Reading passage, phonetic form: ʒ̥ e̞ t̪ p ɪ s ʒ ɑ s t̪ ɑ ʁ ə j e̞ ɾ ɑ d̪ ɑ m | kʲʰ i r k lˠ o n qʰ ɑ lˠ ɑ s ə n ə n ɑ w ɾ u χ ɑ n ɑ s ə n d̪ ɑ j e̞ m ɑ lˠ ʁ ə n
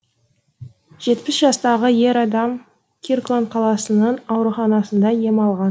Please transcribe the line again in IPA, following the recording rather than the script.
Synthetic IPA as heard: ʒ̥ e̞ t̪ p ɪ s ʒ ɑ s t̪ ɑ ʁ ə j e̞ ɾ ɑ d̪ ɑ m | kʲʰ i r k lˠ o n qʰ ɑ lˠ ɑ s ə n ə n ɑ w ɾ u χ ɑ n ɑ s ə n d̪ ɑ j e̞ m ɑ lˠ ʁ ɑ n